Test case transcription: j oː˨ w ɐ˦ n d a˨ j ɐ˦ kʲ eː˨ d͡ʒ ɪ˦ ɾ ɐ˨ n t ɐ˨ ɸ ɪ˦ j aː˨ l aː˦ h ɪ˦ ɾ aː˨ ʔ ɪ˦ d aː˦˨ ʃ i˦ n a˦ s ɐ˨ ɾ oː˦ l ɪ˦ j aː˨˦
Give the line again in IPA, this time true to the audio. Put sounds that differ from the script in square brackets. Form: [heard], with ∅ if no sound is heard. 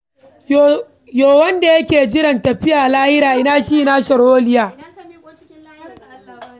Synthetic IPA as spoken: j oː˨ w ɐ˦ n d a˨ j ɐ˦ kʲ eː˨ d͡ʒ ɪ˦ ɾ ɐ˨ n t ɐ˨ ɸ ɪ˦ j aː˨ l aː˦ h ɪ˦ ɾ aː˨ ʔ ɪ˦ [n] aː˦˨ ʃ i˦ n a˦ s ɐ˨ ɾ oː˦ l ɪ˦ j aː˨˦

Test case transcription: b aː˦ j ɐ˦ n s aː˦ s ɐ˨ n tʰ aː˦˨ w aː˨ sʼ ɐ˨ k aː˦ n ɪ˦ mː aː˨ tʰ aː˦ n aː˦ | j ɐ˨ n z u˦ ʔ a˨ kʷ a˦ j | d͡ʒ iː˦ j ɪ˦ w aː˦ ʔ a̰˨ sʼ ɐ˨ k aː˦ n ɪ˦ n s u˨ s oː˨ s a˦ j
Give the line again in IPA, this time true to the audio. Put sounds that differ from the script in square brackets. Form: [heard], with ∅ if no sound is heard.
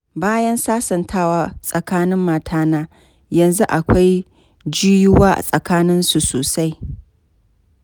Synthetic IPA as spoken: b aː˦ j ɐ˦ n s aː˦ s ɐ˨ n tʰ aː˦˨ w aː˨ sʼ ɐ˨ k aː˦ n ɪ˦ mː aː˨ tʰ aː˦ n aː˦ | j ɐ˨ n z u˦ ʔ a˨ kʷ a˦ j | d͡ʒ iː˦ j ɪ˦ w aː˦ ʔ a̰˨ sʼ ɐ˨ k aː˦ n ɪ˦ n s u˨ s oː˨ s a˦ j

